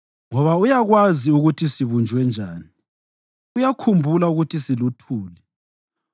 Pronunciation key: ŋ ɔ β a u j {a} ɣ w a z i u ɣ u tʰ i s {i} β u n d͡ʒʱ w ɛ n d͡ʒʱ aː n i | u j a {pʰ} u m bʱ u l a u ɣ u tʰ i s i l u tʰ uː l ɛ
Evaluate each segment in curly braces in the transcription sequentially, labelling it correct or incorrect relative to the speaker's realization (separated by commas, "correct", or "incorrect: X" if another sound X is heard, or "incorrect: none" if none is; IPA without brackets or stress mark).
correct, correct, incorrect: kʰ